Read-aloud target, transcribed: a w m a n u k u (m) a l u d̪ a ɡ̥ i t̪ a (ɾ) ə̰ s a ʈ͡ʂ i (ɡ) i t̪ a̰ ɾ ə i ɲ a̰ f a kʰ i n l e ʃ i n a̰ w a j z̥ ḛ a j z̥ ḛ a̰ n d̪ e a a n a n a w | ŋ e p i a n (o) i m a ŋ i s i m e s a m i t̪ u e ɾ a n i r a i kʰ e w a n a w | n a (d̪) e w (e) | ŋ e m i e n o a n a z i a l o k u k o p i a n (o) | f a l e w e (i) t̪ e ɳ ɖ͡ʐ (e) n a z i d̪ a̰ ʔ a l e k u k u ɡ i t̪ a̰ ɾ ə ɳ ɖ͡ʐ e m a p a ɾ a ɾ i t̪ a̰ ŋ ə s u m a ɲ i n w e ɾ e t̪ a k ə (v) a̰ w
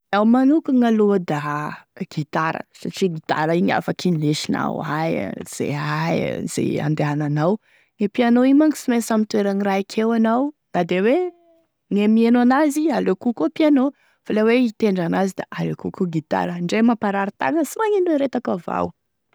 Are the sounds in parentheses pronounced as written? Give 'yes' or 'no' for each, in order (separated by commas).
no, yes, yes, yes, yes, yes, yes, yes, no, yes